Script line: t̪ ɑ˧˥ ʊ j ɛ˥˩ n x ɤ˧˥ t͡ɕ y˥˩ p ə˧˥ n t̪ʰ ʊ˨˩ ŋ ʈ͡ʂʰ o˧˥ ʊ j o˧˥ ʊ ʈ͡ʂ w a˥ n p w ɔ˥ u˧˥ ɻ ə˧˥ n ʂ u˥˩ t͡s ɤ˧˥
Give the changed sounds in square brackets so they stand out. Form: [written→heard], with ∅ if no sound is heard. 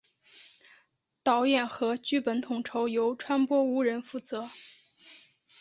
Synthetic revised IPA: t̪ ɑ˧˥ ʊ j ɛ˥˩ n x ɤ˧˥ t͡ɕ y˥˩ p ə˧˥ n t̪ʰ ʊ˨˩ ŋ ʈ͡ʂʰ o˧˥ ʊ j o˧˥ ʊ [ʈ͡ʂ→ʈ͡ʂʰ] w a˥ n p w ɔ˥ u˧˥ ɻ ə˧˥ n [ʂ→f] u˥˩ t͡s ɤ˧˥